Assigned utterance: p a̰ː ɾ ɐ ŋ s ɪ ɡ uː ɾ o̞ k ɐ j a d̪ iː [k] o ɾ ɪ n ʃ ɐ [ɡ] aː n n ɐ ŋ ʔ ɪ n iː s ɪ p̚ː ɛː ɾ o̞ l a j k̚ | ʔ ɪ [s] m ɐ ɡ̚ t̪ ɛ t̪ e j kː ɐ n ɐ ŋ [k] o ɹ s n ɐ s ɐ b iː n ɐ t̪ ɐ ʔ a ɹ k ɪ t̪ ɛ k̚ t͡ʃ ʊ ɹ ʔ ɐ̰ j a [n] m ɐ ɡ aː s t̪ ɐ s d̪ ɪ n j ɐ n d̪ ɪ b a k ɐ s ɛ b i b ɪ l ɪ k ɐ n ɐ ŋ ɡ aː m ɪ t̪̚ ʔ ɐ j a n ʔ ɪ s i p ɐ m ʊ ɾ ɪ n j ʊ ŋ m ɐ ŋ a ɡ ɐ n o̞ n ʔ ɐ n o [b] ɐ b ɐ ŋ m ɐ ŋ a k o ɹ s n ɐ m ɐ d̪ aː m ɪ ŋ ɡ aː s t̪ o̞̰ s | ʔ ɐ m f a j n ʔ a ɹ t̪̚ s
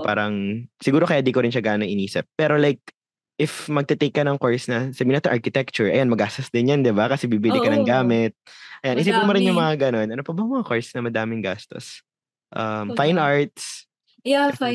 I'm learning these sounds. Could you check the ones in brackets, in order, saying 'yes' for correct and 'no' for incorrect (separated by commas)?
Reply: yes, yes, no, yes, yes, no